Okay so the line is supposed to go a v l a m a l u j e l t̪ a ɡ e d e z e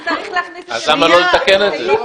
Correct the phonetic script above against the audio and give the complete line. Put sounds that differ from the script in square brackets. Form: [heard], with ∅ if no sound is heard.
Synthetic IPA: a [z] l a m a l [o] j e [∅] t̪ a [k] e [n] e z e